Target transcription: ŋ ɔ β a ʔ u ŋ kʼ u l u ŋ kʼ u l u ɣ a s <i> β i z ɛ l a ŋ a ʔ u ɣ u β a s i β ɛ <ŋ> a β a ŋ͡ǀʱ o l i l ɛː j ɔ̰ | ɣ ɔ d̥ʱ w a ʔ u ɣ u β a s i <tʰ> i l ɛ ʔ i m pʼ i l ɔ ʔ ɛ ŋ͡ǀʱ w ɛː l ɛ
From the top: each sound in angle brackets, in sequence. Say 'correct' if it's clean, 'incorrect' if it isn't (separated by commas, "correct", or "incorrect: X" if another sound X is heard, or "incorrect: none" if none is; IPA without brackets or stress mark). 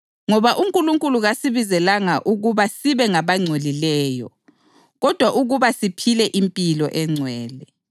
correct, correct, incorrect: pʰ